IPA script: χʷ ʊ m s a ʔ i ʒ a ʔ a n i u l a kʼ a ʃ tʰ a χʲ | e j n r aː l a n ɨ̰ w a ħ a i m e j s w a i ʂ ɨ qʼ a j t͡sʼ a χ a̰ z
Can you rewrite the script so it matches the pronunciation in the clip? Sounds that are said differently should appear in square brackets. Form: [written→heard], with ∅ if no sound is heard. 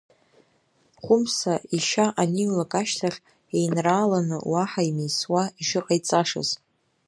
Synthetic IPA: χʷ ʊ m s a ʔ i [ʒ→ʃ] a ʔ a n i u l a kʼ a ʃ tʰ a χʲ | e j n r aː l a n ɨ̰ w a ħ a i m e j s w a i ʂ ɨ qʼ a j t͡sʼ a [χ→ʂ] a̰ z